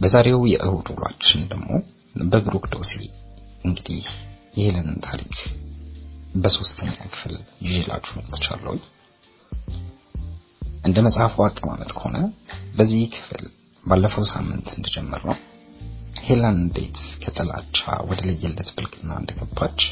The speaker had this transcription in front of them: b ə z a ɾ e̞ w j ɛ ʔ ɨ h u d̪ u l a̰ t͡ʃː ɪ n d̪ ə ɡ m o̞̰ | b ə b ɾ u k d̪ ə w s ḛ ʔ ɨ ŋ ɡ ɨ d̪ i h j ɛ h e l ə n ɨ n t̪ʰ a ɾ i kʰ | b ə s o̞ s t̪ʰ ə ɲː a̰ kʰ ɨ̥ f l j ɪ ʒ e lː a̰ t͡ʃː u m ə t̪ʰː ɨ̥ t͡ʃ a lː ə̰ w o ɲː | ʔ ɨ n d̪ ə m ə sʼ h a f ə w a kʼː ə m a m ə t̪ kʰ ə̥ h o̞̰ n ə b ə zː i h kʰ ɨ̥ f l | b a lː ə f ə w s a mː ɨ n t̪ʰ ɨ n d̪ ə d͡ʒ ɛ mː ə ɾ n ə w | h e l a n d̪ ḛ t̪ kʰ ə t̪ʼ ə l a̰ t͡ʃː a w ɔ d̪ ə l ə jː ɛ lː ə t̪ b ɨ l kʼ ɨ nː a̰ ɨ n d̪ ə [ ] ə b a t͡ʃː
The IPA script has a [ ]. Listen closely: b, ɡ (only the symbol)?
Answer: ɡ